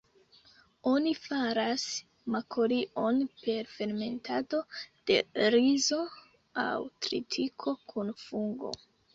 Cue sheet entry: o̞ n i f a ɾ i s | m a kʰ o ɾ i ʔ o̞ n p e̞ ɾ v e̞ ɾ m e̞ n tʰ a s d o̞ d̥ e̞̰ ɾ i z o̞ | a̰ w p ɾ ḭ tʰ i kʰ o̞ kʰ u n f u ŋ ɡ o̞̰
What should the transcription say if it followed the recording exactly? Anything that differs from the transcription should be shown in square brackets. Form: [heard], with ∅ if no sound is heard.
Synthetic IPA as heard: o̞ n i f a ɾ [a] s | m a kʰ o ɾ i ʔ o̞ n p e̞ ɾ [f] e̞ ɾ m e̞ n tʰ a [∅] d o̞ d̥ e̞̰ ɾ i z o̞ | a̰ w [t] ɾ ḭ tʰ i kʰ o̞ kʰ u n f u ŋ ɡ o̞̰